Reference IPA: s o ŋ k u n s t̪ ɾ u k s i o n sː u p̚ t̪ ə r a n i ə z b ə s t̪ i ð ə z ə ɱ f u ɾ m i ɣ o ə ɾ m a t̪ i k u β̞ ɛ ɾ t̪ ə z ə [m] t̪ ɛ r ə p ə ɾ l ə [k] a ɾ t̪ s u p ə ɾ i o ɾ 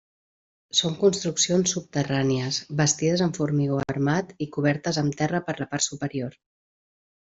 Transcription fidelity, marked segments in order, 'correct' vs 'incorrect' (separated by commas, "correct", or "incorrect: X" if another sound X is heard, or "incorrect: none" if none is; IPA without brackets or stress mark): correct, incorrect: p